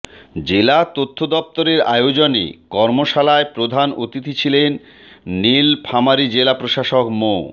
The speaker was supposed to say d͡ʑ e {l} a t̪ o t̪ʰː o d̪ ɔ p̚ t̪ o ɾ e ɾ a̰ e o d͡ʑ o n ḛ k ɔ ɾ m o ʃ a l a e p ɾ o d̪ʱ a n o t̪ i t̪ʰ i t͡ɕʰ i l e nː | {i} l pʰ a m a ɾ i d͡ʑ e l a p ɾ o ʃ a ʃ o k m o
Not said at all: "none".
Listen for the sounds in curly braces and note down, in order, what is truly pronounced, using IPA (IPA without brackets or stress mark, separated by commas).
l, i